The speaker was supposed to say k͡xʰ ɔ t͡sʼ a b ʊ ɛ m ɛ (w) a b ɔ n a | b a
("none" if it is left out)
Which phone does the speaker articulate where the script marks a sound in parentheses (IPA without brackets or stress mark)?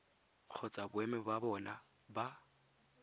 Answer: b